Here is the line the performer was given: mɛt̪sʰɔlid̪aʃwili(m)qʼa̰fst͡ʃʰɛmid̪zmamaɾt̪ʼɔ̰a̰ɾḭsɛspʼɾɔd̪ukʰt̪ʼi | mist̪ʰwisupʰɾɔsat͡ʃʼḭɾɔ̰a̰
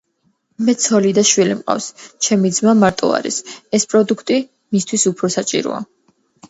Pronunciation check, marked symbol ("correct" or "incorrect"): correct